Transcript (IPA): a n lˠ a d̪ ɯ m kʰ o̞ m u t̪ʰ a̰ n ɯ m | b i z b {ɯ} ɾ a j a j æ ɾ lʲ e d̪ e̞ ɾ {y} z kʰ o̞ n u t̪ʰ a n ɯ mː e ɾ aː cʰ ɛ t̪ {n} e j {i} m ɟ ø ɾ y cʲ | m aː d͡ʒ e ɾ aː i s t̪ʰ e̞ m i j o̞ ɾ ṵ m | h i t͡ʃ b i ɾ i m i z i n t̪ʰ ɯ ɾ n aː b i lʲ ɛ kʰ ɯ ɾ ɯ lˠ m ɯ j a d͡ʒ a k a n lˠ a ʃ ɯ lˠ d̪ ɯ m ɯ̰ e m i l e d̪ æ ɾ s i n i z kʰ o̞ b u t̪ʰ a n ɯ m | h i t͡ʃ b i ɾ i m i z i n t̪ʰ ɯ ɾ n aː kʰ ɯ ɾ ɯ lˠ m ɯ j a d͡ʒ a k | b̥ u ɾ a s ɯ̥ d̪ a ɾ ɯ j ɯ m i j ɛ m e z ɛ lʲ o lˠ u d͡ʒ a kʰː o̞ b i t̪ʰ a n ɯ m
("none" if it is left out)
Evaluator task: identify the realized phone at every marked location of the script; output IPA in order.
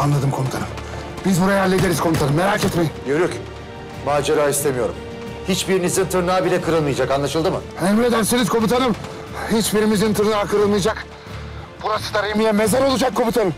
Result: u, i, m, i

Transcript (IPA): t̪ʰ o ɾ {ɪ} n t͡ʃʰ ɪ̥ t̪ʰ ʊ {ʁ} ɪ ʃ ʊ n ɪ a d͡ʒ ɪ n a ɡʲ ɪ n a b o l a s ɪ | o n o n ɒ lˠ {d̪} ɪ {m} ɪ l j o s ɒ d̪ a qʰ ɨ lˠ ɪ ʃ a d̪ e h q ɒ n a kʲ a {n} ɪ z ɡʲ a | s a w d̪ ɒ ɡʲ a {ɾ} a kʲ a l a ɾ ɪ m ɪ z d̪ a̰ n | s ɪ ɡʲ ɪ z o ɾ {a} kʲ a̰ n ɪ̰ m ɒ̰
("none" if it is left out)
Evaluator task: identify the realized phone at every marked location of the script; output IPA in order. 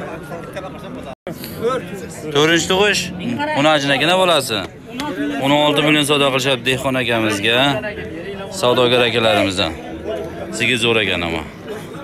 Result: ɪ, ʁ, t̪, m, m, ɾ, a

